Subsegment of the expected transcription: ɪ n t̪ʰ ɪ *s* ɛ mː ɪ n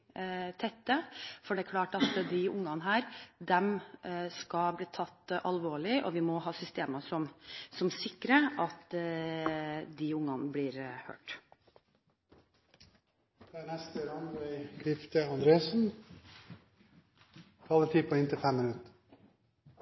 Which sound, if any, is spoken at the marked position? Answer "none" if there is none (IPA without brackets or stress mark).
f